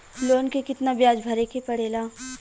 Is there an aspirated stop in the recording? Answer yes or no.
no